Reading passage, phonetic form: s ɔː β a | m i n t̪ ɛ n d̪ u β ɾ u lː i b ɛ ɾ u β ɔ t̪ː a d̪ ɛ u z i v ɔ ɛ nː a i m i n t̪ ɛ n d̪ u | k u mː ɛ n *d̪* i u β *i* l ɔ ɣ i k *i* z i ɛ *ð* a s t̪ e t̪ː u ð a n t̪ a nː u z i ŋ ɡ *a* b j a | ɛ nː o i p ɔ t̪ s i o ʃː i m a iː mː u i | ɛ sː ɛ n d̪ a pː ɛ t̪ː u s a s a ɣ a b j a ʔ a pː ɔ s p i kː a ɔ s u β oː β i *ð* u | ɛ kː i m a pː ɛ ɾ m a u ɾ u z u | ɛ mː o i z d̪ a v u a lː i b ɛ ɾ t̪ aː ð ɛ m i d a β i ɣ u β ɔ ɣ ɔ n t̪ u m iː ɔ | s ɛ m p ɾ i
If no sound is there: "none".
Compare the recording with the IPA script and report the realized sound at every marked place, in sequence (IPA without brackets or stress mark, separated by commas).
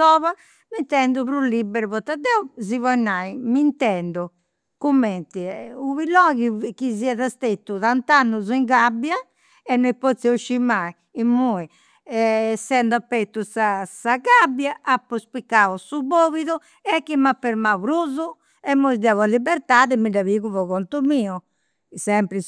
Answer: t̪, i, i, ð, a, ð